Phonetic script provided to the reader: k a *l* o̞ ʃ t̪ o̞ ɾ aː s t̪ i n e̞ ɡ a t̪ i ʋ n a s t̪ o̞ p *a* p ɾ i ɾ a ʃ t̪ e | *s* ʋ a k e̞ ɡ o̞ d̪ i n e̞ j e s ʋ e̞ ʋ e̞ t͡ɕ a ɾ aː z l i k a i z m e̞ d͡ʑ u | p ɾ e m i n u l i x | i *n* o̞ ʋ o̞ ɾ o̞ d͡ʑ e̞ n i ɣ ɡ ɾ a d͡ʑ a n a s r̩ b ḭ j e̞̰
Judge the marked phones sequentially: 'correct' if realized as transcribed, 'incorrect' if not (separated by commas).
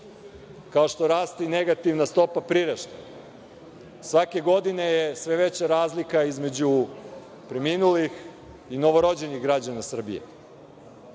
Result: incorrect, correct, correct, correct